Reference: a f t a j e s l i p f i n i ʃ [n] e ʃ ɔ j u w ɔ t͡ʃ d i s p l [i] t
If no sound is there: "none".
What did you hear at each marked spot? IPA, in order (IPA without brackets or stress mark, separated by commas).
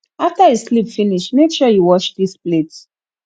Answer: n, e